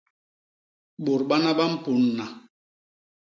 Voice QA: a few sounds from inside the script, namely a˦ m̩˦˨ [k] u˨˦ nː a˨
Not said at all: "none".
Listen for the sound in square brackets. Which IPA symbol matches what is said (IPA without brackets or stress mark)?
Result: p